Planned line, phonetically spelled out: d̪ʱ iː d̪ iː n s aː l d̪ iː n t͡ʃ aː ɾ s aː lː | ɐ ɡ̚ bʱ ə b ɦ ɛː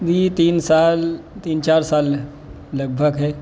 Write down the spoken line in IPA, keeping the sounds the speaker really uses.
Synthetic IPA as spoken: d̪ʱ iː t̪ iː n s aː l t̪ iː n t͡ʃ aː ɾ s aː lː | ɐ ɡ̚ bʱ ə ɡ ɦ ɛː